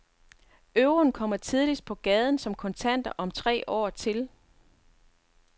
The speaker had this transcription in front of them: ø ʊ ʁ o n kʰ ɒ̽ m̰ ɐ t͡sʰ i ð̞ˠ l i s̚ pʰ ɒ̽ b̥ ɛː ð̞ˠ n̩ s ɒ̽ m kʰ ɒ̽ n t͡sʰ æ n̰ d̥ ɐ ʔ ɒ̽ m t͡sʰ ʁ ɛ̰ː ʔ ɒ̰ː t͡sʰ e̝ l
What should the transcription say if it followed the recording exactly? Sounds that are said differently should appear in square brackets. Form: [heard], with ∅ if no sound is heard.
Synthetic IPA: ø ʊ ʁ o n kʰ ɒ̽ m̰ ɐ t͡sʰ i ð̞ˠ l i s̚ pʰ ɒ̽ [ɡ̥] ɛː ð̞ˠ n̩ s ɒ̽ m kʰ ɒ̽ n t͡sʰ æ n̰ d̥ ɐ ʔ ɒ̽ m t͡sʰ ʁ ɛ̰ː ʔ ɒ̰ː t͡sʰ e̝ l